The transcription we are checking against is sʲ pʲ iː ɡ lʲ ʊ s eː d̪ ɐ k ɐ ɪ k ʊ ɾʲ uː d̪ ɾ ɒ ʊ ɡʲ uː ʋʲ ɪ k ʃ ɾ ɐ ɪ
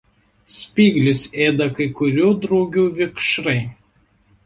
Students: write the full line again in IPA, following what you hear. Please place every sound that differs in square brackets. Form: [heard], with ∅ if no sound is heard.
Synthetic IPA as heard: sʲ pʲ iː ɡ lʲ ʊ s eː d̪ ɐ k ɐ ɪ k ʊ ɾʲ uː d̪ ɾ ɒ ʊ ɡʲ uː ʋʲ ɪ k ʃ ɾ ɐ ɪ